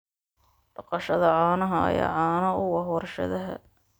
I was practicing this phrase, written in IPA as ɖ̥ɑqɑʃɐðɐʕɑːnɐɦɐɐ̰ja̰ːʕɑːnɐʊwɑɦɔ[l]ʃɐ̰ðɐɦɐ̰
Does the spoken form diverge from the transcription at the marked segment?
yes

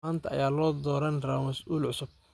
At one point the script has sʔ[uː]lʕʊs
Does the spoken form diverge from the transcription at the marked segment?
no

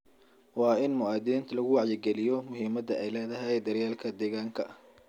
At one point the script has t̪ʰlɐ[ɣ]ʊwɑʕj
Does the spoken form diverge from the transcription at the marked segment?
no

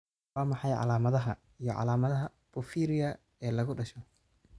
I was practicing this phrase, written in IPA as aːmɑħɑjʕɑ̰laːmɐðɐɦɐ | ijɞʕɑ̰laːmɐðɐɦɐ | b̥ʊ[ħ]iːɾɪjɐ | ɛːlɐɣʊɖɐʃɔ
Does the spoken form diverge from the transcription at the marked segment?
yes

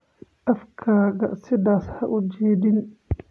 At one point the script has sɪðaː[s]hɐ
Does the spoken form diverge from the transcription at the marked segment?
no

